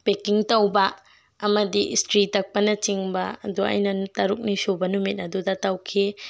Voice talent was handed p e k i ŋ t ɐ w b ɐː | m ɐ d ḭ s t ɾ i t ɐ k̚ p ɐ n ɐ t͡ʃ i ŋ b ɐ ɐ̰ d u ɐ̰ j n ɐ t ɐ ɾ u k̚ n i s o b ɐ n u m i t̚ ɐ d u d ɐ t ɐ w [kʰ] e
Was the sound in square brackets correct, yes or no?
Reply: yes